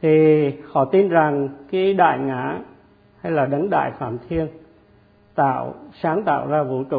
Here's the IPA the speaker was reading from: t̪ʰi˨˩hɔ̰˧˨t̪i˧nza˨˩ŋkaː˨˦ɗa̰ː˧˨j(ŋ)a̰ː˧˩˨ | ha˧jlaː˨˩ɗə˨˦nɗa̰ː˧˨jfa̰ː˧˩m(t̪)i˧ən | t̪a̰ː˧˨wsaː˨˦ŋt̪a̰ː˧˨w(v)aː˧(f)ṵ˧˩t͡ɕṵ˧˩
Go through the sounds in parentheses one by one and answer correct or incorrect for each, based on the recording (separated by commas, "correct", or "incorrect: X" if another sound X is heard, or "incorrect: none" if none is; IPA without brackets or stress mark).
correct, incorrect: t̪ʰ, incorrect: z, incorrect: v